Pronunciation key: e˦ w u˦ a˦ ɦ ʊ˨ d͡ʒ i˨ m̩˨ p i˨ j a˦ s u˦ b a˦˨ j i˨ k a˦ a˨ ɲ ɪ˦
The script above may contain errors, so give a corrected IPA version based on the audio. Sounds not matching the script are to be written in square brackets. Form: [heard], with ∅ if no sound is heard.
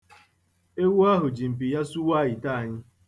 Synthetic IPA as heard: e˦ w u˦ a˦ ɦ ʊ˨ d͡ʒ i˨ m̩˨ p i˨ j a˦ s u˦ [w] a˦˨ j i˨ [t] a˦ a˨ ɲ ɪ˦